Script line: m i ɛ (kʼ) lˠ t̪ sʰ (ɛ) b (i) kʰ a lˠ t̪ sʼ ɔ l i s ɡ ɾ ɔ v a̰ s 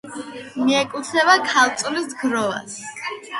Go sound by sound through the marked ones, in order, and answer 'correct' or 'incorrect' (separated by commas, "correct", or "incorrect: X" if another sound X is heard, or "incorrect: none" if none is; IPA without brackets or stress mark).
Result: correct, correct, incorrect: a